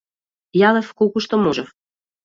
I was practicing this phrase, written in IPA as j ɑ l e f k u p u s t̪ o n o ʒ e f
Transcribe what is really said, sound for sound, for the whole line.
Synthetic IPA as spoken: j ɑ l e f k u k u ʃ t̪ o m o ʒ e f